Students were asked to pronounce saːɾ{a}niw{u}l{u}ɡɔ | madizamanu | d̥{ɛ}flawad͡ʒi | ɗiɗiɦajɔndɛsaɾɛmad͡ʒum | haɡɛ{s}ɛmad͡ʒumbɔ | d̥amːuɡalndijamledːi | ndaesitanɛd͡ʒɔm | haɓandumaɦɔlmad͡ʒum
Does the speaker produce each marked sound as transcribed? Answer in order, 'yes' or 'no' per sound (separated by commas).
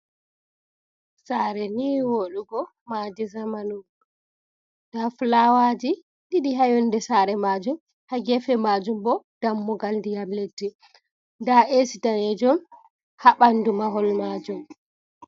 no, no, yes, no, no